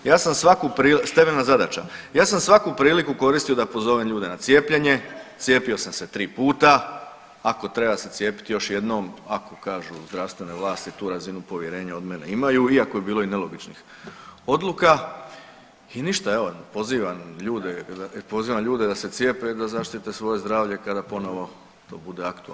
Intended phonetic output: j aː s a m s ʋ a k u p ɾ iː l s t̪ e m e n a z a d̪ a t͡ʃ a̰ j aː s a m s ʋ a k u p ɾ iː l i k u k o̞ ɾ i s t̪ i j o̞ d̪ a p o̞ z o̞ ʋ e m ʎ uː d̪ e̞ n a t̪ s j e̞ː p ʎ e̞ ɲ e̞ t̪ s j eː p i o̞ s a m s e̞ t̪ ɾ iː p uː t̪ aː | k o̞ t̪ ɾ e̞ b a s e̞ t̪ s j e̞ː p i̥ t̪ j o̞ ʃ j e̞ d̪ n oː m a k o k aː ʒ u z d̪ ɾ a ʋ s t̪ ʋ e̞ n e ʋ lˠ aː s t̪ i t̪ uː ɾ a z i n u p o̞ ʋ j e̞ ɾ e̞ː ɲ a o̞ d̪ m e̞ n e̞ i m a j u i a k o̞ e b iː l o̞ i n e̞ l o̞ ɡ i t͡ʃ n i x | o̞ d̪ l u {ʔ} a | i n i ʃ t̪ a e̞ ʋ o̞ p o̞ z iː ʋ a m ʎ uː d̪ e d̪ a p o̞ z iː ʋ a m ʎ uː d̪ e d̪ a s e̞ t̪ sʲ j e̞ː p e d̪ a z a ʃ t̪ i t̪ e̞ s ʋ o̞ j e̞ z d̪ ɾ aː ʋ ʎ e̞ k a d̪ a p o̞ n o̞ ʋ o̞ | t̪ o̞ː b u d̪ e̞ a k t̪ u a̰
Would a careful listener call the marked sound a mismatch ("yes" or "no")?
yes